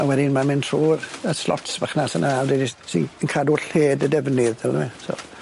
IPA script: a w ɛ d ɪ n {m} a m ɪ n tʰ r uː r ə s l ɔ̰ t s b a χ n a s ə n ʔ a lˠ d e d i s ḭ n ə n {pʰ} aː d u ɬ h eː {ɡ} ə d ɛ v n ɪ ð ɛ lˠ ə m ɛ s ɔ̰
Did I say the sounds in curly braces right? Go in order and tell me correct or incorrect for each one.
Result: correct, incorrect, incorrect

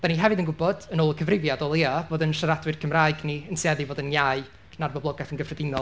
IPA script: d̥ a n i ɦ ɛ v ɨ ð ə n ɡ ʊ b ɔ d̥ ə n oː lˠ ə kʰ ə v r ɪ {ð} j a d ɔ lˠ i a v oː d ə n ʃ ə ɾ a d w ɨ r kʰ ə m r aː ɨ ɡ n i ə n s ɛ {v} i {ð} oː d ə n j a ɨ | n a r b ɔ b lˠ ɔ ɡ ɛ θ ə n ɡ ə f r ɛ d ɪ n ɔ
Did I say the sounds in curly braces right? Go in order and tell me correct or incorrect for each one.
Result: incorrect, incorrect, incorrect

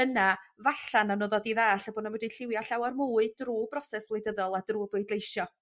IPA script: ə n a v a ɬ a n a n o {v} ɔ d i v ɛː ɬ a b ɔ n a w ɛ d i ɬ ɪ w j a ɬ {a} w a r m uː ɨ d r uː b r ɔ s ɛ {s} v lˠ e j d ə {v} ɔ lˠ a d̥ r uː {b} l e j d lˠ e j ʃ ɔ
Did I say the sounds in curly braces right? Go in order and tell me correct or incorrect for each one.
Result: incorrect, correct, correct, incorrect, correct

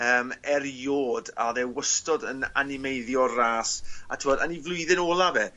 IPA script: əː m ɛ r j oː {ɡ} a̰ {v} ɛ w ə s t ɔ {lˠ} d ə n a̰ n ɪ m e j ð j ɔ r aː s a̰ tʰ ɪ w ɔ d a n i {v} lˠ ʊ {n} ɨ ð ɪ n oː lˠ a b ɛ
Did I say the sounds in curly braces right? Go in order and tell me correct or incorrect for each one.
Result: incorrect, incorrect, incorrect, correct, incorrect

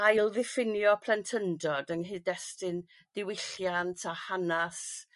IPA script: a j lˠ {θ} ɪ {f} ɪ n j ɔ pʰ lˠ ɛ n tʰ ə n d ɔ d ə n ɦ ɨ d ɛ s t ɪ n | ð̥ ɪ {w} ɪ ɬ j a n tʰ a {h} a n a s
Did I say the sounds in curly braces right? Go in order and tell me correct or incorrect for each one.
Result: incorrect, correct, correct, correct

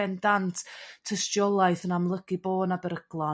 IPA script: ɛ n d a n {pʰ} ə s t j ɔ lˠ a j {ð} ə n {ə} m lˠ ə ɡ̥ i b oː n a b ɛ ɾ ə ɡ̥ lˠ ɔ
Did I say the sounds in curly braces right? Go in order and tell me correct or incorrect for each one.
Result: incorrect, incorrect, incorrect

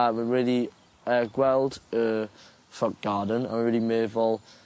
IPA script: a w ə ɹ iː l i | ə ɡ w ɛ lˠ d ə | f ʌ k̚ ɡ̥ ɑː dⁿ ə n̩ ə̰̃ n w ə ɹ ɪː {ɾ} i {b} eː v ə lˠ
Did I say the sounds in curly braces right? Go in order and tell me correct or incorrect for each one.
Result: incorrect, incorrect

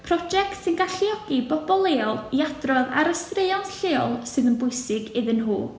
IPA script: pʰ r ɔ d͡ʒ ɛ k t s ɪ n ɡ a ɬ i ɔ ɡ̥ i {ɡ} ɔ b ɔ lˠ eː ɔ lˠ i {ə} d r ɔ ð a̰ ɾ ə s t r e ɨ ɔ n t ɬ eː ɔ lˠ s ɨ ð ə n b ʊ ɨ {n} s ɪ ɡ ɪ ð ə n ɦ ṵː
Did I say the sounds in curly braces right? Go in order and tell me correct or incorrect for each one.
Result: incorrect, incorrect, incorrect

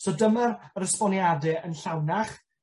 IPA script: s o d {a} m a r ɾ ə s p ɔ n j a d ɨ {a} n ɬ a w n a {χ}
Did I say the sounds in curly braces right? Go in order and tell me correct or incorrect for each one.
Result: incorrect, incorrect, correct

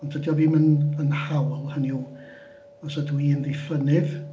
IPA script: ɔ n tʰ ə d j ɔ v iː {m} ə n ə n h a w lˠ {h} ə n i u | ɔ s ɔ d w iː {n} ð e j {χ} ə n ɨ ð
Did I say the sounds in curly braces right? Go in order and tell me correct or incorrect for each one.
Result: correct, correct, correct, incorrect

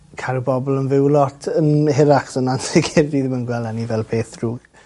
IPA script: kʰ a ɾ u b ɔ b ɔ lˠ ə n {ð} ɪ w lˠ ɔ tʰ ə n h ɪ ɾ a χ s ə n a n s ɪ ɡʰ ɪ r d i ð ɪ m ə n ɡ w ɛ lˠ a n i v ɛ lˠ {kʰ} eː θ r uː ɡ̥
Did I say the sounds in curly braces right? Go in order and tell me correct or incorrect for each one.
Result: incorrect, incorrect

